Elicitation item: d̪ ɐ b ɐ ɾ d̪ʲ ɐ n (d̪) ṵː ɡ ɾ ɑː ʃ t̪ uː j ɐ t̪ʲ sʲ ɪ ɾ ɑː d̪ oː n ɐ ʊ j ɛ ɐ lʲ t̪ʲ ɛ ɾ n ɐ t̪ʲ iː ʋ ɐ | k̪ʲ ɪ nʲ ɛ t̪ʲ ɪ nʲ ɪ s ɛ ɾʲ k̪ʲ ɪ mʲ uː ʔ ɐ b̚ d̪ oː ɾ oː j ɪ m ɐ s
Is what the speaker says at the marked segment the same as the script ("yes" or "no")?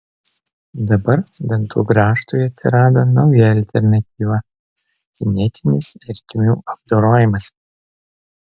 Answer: no